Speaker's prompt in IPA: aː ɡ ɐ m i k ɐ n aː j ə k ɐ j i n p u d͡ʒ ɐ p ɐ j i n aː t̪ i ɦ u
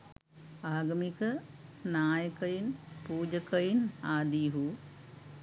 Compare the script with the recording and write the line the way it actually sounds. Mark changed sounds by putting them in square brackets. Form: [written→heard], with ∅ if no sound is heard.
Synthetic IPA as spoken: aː ɡ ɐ m i k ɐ n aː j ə k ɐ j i n p [u→uː] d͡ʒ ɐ [p→k] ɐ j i n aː [t̪→d̪] i ɦ u